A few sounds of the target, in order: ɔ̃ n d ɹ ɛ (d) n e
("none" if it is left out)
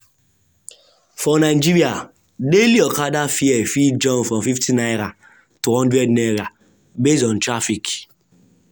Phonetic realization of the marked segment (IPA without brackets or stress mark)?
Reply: d